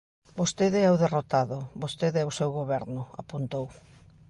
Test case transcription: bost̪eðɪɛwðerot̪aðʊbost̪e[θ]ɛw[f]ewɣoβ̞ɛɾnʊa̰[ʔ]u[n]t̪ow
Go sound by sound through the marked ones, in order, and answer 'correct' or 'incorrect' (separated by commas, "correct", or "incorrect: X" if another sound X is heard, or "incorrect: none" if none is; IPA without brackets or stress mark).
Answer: incorrect: ð, incorrect: s, incorrect: p, correct